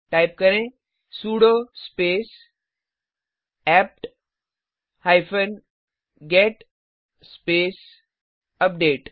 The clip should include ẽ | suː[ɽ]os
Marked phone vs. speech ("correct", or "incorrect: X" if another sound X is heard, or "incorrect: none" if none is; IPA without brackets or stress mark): correct